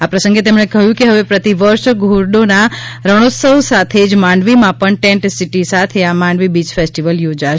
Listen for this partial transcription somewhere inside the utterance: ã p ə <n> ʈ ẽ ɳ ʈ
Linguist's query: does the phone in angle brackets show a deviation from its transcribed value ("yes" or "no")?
yes